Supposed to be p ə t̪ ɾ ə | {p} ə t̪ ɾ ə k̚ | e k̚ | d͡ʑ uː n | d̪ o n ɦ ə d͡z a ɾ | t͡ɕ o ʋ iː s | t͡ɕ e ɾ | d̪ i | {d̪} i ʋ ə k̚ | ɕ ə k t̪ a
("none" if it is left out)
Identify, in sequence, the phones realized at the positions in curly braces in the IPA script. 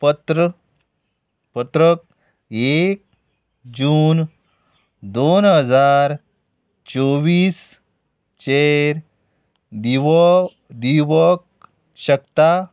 p, d̪

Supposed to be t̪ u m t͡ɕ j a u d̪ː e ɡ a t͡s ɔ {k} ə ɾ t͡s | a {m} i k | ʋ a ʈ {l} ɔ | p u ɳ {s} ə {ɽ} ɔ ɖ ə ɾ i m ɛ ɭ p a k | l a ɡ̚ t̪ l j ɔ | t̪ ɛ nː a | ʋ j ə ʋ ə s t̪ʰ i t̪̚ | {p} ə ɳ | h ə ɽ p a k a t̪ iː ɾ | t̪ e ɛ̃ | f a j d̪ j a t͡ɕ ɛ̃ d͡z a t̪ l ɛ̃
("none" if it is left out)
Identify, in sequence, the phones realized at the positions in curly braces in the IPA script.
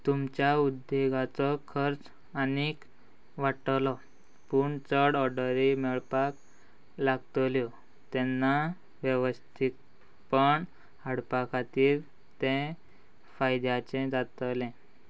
kʰ, n, l, t͡s, ɽ, p

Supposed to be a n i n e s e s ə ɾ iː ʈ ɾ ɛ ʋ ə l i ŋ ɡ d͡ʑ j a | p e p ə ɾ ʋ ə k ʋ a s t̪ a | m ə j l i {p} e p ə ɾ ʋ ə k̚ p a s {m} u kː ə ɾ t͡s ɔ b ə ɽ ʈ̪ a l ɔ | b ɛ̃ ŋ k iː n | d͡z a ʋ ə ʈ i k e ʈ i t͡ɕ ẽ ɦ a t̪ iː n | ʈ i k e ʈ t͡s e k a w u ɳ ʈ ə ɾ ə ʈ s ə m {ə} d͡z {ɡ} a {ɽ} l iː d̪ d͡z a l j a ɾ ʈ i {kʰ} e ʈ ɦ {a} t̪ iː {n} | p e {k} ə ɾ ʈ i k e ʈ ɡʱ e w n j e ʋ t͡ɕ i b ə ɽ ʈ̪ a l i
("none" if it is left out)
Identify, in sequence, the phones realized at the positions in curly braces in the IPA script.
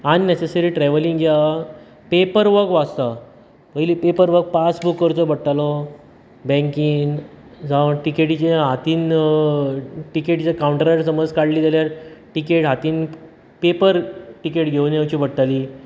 p, b, ə, k, ɽ, k, a, n, p

